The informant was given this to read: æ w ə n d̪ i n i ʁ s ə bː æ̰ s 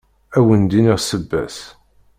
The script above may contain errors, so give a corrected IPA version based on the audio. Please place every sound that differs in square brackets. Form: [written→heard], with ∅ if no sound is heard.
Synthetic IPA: æ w ə n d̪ i n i ʁ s ə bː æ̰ s